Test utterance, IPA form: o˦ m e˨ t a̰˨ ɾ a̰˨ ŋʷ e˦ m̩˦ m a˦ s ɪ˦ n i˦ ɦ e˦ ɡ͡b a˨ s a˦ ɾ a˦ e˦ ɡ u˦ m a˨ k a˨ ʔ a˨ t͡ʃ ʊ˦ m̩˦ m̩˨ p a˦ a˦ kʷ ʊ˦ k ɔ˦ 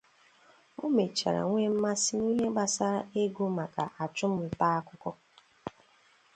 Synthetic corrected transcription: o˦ m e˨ t͡ʃ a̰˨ ɾ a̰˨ ŋʷ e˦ m̩˦ m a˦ s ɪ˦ n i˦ ɦ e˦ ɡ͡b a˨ s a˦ ɾ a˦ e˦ ɡ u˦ m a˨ k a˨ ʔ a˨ t͡ʃ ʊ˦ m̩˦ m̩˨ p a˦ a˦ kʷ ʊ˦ k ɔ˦